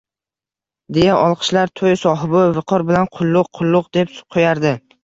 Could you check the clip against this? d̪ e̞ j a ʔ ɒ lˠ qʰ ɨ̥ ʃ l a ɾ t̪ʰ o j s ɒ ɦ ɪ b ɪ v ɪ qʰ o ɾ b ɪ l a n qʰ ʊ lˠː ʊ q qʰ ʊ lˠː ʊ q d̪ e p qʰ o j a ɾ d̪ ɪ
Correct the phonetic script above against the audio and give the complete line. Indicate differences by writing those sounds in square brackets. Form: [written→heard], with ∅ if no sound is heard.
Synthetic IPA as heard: d̪ e̞ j a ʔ ɒ lˠ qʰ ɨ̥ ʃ l a ɾ t̪ʰ o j s ɒ ɦ ɪ b ɪ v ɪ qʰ [o→ɒ] ɾ b ɪ l a n qʰ ʊ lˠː ʊ q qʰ ʊ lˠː ʊ q d̪ e p qʰ o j a ɾ d̪ ɪ